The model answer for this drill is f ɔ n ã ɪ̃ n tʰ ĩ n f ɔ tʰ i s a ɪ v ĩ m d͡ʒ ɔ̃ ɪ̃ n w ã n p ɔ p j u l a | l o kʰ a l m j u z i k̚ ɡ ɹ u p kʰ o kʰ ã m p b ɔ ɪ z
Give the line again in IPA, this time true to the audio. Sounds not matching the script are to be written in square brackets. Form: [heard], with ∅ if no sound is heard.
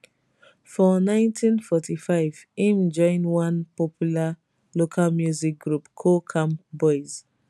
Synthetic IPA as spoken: f ɔ n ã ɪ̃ n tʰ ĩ n f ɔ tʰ i [f] a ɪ v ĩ m d͡ʒ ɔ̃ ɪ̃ n w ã n p ɔ p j u l a | l o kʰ a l m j u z i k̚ ɡ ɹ u p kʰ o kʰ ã m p b ɔ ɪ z